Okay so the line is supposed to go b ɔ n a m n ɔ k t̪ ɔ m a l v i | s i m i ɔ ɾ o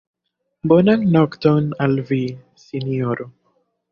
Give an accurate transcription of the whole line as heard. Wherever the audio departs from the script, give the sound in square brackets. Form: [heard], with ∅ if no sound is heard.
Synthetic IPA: b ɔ n a [ŋ] n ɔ k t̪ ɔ [n] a l v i | s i [n] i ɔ ɾ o